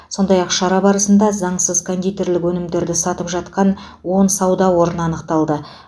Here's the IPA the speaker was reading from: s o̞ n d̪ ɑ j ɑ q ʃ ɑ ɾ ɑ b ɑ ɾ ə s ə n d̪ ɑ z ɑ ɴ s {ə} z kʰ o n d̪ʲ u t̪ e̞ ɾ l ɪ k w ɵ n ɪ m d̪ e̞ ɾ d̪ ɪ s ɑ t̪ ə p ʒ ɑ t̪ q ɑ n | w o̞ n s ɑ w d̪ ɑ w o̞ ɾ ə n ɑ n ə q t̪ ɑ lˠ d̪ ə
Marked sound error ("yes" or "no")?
no